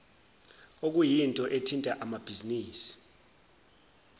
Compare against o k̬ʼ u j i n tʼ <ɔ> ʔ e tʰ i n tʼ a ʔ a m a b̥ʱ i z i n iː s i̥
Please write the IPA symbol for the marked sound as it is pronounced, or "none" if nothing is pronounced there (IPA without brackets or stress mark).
ɔ